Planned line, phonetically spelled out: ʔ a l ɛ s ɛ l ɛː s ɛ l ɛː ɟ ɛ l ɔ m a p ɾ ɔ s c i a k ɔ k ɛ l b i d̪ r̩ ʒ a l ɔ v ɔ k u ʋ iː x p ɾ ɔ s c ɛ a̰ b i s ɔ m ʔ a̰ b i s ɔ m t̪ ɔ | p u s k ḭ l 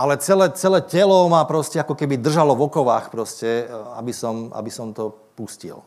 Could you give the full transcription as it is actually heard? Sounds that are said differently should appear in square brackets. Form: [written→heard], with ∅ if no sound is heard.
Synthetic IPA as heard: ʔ a l ɛ [s→t͡s] ɛ l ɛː [s→t͡s] ɛ l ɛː [ɟ→c] ɛ l ɔ m a p ɾ ɔ s c [i→ɛ] a k ɔ k ɛ [l→∅] b i d̪ r̩ ʒ a l ɔ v ɔ k [u→ɔ] ʋ [iː→aː] x p ɾ ɔ s c ɛ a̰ b i s ɔ m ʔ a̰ b i s ɔ m t̪ ɔ | p u s [k→c] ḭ l